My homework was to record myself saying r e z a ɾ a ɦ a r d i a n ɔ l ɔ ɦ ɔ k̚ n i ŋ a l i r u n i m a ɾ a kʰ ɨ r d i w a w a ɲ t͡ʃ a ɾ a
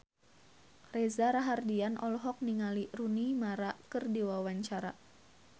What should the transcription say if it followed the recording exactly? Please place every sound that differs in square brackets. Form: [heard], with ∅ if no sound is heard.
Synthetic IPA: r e z a ɾ a ɦ a r d i a n ɔ l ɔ ɦ ɔ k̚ n i ŋ a l i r u n i m a ɾ a [k] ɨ r d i w a w a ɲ t͡ʃ a ɾ a